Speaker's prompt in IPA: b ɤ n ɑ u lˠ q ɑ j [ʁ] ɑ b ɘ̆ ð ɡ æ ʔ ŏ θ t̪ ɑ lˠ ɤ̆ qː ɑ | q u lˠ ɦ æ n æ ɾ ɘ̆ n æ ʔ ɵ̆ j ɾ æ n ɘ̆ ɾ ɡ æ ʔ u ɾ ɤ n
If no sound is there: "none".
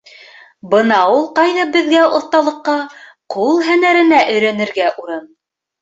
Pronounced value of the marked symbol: ð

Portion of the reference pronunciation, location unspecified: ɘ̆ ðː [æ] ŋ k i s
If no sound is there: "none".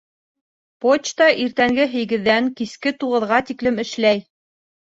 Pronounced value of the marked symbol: æ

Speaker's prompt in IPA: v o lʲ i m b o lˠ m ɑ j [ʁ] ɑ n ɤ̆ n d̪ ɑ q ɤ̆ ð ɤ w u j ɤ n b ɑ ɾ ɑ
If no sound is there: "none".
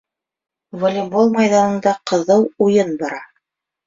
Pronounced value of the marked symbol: ð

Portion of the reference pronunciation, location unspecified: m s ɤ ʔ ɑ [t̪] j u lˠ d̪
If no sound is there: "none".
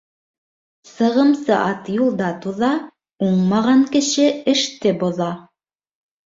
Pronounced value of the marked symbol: t̪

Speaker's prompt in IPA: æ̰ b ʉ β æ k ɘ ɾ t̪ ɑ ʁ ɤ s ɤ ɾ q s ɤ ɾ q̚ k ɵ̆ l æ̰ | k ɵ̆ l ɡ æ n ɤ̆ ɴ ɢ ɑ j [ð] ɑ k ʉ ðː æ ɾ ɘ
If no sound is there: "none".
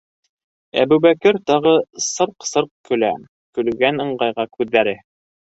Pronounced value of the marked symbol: ʁ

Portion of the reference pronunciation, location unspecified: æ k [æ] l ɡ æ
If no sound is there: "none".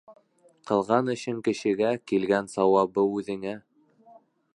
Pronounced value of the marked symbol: i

